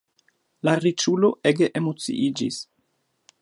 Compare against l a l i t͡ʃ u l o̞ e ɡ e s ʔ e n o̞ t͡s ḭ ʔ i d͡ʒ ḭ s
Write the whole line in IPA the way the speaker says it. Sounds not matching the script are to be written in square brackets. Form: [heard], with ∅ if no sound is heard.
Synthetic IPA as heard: l a [ɾ] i t͡ʃ u l o̞ e ɡ e [∅] ʔ e [m] o̞ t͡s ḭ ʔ i d͡ʒ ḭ s